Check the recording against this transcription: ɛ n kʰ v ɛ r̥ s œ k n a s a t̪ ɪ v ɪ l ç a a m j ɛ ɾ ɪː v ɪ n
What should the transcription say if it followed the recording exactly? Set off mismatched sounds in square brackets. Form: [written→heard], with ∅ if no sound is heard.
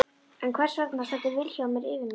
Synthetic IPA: ɛ n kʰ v ɛ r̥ s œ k n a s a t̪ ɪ v ɪ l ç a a m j ɛ ɾ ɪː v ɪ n